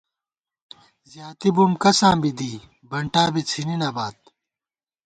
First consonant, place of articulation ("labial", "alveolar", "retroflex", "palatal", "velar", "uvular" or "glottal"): alveolar